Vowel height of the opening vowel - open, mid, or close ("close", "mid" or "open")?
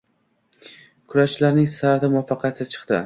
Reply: close